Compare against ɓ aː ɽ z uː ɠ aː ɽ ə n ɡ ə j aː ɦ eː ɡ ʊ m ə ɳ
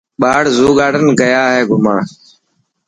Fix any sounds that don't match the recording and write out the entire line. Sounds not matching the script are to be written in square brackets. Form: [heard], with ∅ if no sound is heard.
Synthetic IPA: ɓ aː ɽ z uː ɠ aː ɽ ə n ɡ ə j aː ɦ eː ɡ ʊ m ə ɳ